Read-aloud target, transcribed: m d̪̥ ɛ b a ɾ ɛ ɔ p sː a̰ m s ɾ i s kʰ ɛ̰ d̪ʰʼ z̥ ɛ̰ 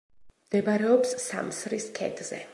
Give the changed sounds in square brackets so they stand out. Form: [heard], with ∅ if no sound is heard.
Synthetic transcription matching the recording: m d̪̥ ɛ b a ɾ ɛ ɔ p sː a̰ m s ɾ i s kʰ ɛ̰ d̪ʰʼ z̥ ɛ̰